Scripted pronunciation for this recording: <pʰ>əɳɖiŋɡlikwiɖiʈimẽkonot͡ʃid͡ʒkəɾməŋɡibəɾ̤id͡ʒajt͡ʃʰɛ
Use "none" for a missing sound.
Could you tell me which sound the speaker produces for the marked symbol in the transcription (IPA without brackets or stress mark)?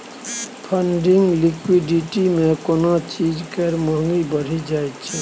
pʰ